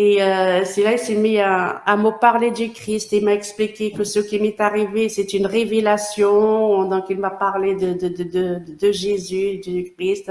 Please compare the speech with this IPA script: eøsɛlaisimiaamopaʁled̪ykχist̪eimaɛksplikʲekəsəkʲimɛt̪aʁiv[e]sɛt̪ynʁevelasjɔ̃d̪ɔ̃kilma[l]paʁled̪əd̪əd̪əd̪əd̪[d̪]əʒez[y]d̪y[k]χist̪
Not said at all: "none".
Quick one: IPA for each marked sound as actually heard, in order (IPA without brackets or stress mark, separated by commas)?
e, none, d̪, y, k